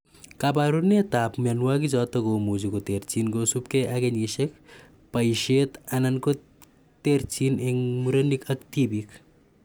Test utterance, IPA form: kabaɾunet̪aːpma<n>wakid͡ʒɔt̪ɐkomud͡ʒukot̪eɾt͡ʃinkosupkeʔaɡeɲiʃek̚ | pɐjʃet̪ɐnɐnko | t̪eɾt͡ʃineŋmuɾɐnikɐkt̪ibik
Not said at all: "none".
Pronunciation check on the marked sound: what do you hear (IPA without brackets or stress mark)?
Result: n